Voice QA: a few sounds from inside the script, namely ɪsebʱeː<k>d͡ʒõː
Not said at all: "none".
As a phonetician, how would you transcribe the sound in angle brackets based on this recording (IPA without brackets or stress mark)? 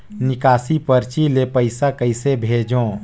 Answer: none